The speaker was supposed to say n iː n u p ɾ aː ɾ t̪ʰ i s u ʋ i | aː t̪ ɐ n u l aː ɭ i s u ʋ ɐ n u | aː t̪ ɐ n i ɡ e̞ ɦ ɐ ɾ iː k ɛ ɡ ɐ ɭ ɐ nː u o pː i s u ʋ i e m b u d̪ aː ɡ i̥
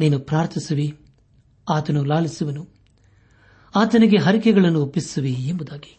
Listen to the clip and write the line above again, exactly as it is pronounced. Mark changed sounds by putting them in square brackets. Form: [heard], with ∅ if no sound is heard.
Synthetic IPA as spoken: n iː n u p ɾ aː ɾ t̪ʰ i s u ʋ i | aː t̪ ɐ n u l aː ɭ i s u ʋ ɐ n u | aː t̪ ɐ n i ɡ e̞ ɦ ɐ ɾ [i] k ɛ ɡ ɐ ɭ ɐ nː u o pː i s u ʋ i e m b u d̪ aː ɡ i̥